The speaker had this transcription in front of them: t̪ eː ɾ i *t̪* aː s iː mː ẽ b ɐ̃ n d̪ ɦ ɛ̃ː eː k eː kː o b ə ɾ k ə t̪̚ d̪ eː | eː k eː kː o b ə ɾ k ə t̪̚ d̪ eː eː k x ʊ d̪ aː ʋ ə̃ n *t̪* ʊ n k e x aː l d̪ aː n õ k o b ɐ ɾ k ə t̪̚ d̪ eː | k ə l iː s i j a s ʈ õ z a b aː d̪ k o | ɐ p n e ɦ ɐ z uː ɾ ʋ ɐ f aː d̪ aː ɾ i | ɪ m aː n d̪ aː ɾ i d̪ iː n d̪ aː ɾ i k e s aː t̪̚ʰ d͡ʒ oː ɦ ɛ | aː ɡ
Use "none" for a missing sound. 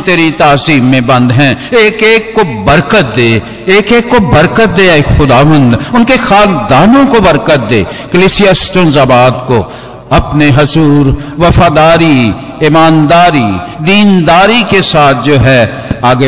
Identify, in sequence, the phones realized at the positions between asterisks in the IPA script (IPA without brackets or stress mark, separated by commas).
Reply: t̪, d̪